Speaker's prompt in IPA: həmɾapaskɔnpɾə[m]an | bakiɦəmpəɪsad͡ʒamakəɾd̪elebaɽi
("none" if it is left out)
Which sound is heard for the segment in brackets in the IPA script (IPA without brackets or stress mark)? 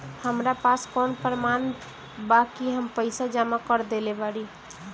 m